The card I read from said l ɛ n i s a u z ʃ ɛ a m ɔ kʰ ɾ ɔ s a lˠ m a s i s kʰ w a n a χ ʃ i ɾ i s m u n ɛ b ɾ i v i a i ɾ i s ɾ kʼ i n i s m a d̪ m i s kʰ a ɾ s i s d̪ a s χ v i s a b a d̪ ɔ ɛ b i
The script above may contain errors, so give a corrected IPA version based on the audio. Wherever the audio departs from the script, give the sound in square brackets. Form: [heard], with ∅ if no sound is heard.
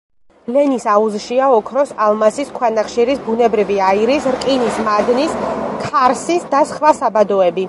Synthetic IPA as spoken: l ɛ n i s a u z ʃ [i] a [∅] ɔ kʰ ɾ ɔ s a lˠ m a s i s kʰ w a n a χ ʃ i ɾ i s [b] u n ɛ b ɾ i v i a i ɾ i s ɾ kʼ i n i s m a d̪ [n] i s kʰ a ɾ s i s d̪ a s χ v [a] s a b a d̪ ɔ ɛ b i

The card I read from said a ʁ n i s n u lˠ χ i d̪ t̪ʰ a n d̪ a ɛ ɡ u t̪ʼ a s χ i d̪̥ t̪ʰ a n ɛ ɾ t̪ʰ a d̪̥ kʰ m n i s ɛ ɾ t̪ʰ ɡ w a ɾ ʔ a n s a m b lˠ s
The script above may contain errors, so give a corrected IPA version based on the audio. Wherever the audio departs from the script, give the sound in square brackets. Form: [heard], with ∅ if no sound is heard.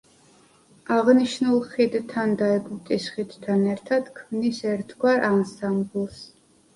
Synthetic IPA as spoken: a ʁ n i [ʃ] n u lˠ χ i d̪ t̪ʰ a n d̪ a ɛ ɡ u t̪ʼ [i] s χ i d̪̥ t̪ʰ a n ɛ ɾ t̪ʰ a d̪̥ kʰ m n i s ɛ ɾ t̪ʰ ɡ w a ɾ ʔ a n s a m b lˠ s

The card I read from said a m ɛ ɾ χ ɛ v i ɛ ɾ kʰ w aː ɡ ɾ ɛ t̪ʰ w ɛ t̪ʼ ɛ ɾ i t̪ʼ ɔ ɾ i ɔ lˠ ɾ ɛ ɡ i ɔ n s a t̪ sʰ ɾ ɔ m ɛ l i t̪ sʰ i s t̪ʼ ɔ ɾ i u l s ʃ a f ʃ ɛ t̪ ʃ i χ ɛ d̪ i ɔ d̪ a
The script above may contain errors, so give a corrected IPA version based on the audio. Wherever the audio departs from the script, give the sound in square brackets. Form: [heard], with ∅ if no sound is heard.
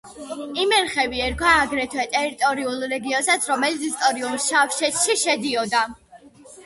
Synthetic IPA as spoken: [i] m ɛ ɾ χ ɛ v i ɛ ɾ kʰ w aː ɡ ɾ ɛ t̪ʰ w ɛ t̪ʼ ɛ ɾ i t̪ʼ ɔ ɾ i [u] lˠ ɾ ɛ ɡ i ɔ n s a t̪ sʰ ɾ ɔ m ɛ l i t̪ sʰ i s t̪ʼ ɔ ɾ i u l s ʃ a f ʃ ɛ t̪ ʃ i [ʃ] ɛ d̪ i ɔ d̪ a

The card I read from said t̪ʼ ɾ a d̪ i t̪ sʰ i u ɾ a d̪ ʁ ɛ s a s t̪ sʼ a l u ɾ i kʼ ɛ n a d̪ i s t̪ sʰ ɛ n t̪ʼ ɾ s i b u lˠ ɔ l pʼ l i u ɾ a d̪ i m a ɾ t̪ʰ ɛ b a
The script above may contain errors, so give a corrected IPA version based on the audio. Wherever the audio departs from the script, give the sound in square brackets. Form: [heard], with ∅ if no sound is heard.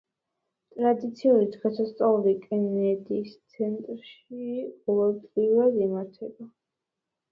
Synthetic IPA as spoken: t̪ʼ ɾ a d̪ i t̪ sʰ i u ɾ [i] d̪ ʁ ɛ s a s t̪ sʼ a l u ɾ i kʼ ɛ n [ɛ] d̪ i s t̪ sʰ ɛ n t̪ʼ ɾ [ʃ] i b [ɔ] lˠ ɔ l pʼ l i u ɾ a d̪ i m a ɾ t̪ʰ ɛ b a

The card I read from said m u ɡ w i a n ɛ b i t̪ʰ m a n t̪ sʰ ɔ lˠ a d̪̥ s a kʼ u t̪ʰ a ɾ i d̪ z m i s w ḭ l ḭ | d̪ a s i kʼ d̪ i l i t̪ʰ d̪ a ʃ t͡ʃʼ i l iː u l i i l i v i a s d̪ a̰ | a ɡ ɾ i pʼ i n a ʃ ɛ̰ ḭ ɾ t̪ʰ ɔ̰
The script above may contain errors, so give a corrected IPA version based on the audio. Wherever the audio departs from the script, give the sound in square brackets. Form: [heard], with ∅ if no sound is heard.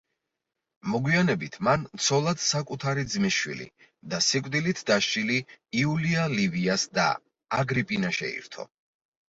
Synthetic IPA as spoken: m [ɔ] ɡ w i a n ɛ b i t̪ʰ m a n t̪ sʰ ɔ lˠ a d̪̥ s a kʼ u t̪ʰ a ɾ i d̪ z m i [ʃ] w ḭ l ḭ | d̪ a s i kʼ d̪ i l i t̪ʰ d̪ a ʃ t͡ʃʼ i l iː u l i [a] l i v i a s d̪ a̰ | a ɡ ɾ i pʼ i n a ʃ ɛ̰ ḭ ɾ t̪ʰ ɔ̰

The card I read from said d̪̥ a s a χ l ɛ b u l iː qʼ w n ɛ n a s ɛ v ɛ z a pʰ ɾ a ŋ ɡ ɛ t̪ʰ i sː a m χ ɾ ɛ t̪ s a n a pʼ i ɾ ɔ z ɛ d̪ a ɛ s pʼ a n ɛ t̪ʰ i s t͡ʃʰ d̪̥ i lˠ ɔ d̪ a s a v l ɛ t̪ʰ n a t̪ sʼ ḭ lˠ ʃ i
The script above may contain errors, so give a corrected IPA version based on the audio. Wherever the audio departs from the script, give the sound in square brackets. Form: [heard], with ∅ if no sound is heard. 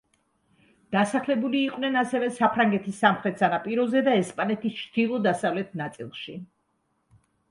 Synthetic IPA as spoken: d̪̥ a s a χ l ɛ b u l iː qʼ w n ɛ n a s ɛ v ɛ [s] a pʰ ɾ a ŋ ɡ ɛ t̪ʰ i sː a m χ ɾ ɛ t̪ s a n a pʼ i ɾ ɔ z ɛ d̪ a ɛ s pʼ a n ɛ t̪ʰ i s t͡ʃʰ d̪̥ i lˠ ɔ d̪ a s a v l ɛ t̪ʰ n a t̪ sʼ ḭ lˠ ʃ i

